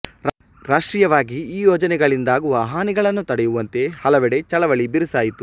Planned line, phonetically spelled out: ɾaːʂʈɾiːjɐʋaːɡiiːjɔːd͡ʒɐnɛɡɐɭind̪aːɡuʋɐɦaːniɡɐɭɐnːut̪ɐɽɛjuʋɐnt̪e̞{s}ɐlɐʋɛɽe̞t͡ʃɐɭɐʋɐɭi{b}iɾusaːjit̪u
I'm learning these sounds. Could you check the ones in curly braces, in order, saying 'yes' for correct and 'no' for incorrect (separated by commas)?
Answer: no, yes